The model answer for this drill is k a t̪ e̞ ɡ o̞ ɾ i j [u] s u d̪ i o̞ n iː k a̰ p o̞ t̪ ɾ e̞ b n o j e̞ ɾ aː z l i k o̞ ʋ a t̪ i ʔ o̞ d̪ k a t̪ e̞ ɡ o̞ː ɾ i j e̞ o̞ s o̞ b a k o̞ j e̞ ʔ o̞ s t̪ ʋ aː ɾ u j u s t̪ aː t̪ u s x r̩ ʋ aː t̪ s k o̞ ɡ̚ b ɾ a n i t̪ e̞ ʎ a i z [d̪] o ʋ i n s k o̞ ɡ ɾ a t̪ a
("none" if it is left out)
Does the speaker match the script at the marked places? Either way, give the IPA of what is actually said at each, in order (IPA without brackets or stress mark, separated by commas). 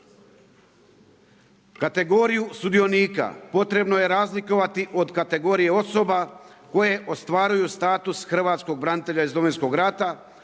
u, d̪